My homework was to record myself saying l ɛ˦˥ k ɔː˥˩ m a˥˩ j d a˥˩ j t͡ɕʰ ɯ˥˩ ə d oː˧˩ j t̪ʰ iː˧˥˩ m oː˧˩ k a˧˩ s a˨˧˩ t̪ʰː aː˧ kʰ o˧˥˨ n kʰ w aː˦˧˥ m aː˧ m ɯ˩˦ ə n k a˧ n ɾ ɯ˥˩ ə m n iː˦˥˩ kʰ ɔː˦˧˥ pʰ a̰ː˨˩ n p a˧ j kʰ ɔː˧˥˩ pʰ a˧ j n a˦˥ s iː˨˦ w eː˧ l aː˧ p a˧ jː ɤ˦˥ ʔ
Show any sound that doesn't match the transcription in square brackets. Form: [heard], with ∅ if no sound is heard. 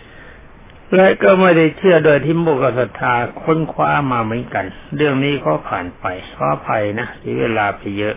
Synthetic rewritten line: l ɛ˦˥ k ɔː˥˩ m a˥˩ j d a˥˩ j t͡ɕʰ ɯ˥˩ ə d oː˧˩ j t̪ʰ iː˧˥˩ m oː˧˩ k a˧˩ s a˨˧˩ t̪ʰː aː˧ kʰ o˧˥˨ n kʰ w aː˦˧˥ m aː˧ m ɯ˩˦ ə n k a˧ n ɾ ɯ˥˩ ə [ŋ] n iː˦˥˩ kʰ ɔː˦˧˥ pʰ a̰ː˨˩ n p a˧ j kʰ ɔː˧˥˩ pʰ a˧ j n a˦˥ s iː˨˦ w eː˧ l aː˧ p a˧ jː ɤ˦˥ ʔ